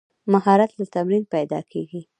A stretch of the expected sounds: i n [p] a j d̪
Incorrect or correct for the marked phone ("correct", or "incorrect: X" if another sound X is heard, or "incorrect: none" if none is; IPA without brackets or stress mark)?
correct